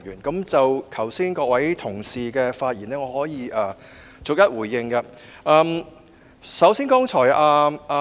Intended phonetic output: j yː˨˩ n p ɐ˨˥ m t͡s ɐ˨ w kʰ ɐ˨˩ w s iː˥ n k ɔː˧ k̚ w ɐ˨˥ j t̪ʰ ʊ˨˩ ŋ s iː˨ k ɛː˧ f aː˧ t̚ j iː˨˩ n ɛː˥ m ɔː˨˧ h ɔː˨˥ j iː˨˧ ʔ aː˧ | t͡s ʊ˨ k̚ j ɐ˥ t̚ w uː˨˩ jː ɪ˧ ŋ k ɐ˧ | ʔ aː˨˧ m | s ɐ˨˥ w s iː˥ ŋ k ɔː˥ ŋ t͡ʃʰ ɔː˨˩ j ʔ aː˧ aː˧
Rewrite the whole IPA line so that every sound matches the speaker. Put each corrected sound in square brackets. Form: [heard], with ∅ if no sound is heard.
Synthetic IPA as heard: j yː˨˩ n [k] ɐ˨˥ m t͡s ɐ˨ w kʰ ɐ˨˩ w s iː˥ n k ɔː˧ k̚ w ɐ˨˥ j t̪ʰ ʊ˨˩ ŋ s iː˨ k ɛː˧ f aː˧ t̚ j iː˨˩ n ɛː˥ [ŋ] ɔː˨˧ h ɔː˨˥ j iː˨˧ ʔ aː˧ | t͡s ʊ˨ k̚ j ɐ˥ t̚ w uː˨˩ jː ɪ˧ ŋ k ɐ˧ | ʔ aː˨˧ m | s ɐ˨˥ w s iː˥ [n] k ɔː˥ ŋ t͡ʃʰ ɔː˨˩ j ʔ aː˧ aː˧